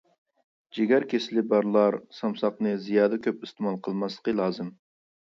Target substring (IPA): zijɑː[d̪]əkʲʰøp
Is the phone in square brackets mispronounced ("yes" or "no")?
no